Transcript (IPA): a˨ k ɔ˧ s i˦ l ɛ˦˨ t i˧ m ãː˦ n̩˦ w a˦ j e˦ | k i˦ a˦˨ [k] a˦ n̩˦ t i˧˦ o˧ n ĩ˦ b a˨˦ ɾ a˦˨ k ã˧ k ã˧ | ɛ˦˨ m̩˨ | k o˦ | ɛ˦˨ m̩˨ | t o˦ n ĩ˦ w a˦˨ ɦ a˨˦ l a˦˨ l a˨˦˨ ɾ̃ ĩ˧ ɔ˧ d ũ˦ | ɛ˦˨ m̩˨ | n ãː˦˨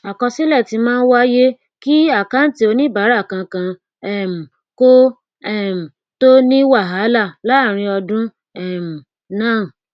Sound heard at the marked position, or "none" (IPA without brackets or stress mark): k